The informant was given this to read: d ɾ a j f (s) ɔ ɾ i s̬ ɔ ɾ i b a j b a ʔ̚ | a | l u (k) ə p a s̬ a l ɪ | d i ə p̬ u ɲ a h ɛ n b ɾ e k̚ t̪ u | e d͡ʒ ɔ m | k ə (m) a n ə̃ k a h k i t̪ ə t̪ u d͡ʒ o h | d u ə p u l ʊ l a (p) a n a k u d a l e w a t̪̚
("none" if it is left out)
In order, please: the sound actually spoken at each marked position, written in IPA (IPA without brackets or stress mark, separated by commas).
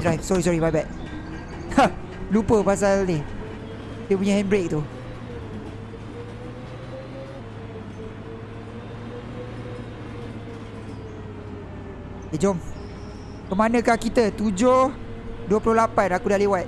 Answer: s, p, m, p